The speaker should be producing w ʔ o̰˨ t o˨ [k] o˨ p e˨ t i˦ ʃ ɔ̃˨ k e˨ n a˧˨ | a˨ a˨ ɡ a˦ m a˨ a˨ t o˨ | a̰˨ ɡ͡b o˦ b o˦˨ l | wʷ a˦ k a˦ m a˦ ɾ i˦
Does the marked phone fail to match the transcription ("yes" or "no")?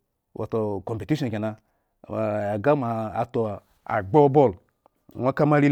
no